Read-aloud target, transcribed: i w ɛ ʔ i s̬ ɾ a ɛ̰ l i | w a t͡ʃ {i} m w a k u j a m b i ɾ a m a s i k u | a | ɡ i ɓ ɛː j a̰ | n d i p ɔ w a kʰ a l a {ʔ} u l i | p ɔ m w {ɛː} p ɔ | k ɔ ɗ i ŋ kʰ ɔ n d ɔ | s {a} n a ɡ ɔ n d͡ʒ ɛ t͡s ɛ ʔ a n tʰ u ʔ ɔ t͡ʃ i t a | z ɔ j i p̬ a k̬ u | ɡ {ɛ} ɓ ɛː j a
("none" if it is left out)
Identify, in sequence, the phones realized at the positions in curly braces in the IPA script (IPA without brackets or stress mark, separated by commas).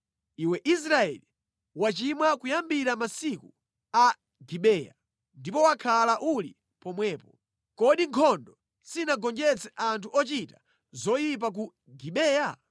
i, ʔ, ɛː, i, i